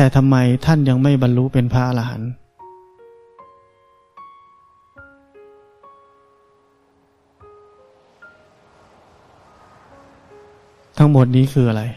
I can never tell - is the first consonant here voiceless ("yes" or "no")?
yes